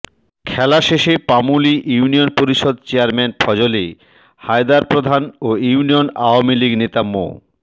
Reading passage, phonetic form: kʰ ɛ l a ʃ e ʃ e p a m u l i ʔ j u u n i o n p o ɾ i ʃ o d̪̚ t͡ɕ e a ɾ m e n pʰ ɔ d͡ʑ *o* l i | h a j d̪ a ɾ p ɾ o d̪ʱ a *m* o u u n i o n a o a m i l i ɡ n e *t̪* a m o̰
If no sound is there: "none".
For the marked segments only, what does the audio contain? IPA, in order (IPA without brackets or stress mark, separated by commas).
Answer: o, n, t̪